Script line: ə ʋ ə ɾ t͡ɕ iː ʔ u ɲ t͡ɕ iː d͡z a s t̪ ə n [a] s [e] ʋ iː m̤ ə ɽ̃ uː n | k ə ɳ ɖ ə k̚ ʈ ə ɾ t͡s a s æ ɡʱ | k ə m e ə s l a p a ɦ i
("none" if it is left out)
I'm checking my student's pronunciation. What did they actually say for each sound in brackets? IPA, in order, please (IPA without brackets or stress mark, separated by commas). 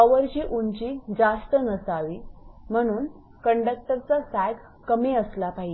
ə, a